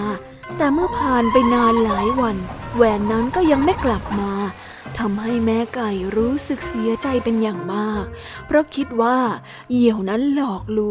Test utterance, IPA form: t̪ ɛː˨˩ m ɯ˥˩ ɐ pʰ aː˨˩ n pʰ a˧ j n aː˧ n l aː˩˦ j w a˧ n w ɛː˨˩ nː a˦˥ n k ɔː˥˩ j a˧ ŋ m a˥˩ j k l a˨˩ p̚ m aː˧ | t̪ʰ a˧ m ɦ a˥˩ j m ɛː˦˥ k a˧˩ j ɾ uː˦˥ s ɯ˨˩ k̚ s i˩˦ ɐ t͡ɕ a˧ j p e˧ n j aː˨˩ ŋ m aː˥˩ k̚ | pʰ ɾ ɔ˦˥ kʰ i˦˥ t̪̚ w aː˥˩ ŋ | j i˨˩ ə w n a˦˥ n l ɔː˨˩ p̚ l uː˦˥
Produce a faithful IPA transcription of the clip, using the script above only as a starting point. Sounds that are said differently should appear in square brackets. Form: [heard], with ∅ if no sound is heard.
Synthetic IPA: t̪ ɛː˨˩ m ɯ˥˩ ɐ pʰ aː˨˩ n [p] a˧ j n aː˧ n l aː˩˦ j w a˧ n w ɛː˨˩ nː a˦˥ n k ɔː˥˩ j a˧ ŋ m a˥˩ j k l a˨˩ p̚ m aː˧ | t̪ʰ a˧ m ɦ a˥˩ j m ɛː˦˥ k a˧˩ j ɾ uː˦˥ s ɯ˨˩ k̚ s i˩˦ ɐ t͡ɕ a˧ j p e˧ n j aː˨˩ ŋ m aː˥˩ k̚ | pʰ ɾ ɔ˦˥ kʰ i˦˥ t̪̚ w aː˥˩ [∅] | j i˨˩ ə w n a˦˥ n l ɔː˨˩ [k̚] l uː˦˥